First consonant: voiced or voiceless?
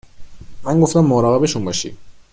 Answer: voiced